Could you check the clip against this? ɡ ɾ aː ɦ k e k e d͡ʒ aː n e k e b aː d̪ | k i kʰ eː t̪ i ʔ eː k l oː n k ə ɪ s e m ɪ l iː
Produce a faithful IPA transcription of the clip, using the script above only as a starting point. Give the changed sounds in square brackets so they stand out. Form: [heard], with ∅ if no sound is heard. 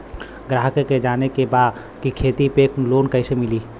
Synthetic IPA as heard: ɡ ɾ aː ɦ k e k e d͡ʒ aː n e k e b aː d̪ | k i kʰ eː t̪ i [p] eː k l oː n k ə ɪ s e m ɪ l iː